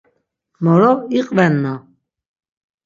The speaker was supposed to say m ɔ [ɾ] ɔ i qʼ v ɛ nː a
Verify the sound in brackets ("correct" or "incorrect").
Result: correct